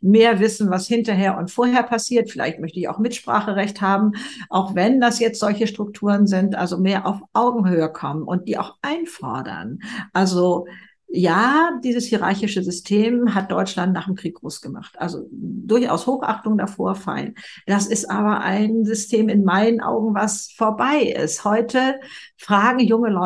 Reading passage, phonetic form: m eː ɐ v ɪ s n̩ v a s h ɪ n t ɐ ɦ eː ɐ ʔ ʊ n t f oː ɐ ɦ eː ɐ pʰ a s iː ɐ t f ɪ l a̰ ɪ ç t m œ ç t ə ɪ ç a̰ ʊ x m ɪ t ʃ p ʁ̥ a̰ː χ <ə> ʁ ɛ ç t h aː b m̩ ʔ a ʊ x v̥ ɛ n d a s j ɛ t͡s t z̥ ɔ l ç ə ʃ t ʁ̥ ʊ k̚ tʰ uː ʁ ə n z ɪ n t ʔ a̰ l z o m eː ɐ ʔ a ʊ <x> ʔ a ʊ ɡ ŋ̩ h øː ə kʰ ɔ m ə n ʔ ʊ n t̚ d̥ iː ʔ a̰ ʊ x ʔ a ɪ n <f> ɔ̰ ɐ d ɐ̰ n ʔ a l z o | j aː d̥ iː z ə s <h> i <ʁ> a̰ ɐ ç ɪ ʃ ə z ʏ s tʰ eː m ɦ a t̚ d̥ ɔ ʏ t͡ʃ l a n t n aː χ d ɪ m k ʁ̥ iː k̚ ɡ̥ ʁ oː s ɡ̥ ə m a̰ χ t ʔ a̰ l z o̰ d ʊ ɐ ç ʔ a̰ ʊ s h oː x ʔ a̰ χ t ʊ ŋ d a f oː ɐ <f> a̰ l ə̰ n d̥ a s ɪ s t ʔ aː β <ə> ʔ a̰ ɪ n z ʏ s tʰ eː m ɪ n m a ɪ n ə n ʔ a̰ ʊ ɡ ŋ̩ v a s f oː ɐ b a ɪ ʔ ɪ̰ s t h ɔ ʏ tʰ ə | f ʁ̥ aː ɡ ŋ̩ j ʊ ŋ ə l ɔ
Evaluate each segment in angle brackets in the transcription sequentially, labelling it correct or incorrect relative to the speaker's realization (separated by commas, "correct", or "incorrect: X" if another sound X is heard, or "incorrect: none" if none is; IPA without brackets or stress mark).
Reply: correct, incorrect: f, correct, correct, correct, correct, incorrect: ɐ